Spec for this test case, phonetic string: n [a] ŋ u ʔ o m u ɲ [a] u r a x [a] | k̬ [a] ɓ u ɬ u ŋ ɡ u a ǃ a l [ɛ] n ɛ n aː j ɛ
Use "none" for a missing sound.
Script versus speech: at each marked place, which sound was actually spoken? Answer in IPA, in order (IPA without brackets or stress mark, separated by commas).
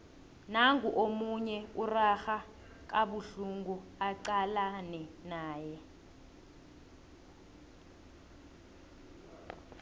a, ɛ, a, a, a